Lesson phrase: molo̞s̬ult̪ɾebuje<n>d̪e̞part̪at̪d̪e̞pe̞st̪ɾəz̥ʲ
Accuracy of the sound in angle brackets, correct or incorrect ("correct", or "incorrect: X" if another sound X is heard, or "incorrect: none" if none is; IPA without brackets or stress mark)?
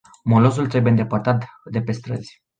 correct